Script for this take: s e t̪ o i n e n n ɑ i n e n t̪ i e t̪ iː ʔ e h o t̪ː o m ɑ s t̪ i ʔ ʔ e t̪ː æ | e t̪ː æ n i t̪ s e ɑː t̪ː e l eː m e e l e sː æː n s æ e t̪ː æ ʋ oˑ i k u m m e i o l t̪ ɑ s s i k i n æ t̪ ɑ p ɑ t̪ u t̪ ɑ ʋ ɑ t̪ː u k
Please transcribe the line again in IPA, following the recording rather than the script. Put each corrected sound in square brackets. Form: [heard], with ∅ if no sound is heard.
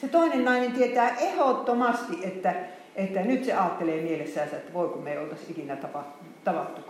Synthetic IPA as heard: s e t̪ o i n e n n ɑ i n e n t̪ i e t̪ [æː] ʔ e h o t̪ː o m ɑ s t̪ i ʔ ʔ e t̪ː æ | e t̪ː æ n [y] t̪ s e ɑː t̪ː e l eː m [i] e l e sː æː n s æ e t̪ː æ ʋ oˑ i k u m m e i o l t̪ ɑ s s i k i n æ t̪ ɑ p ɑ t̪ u t̪ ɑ ʋ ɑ t̪ː u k